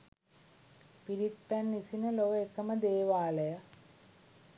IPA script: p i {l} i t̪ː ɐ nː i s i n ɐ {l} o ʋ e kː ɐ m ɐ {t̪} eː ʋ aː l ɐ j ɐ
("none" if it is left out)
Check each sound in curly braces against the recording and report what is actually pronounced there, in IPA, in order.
ɾ, l, d̪

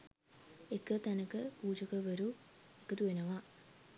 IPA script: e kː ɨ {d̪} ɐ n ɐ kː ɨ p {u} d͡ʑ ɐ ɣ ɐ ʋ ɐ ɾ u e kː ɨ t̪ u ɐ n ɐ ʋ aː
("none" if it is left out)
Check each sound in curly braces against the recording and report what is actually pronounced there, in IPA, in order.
t̪, uː

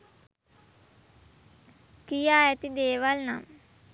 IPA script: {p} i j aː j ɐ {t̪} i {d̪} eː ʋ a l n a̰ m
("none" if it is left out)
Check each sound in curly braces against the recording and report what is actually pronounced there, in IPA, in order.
k, t̪, d̪

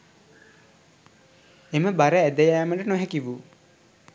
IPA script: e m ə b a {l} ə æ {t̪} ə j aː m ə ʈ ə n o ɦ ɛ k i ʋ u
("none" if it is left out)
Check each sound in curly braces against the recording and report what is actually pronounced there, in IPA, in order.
ɾ, d̪

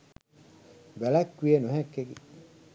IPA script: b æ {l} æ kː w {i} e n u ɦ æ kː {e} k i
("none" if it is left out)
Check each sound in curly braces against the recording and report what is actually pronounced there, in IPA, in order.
l, i, e

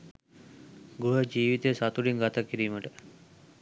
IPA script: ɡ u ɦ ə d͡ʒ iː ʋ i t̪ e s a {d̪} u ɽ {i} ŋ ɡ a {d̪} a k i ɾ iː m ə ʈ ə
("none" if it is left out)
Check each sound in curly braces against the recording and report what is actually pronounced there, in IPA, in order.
t̪, i, t̪

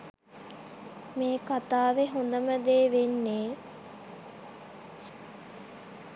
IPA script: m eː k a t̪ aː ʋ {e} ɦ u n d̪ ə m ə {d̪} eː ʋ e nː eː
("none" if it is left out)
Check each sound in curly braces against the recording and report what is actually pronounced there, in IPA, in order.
e, d̪

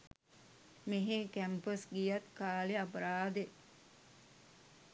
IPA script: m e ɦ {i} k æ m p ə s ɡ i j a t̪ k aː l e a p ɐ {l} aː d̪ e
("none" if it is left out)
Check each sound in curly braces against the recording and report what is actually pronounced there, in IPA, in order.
e, ɾ

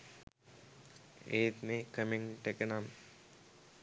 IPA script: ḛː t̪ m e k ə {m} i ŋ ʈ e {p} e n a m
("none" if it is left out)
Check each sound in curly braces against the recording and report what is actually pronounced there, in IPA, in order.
m, k

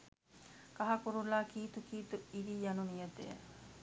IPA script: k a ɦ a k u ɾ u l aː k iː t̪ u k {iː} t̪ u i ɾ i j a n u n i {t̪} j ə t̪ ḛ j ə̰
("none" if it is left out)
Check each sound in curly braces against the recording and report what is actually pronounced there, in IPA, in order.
iː, none

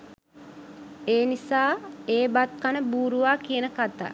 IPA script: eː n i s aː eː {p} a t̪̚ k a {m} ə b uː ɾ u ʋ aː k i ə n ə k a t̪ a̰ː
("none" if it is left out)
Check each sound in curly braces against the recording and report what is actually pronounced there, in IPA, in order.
b, n

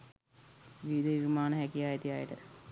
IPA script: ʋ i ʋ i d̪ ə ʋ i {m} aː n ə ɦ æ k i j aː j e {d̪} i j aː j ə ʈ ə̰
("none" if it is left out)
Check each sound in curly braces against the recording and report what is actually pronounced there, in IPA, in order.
m, t̪

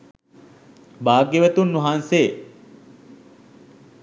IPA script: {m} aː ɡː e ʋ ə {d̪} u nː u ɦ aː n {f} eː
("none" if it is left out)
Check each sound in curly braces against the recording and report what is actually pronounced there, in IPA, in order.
b, t̪, s

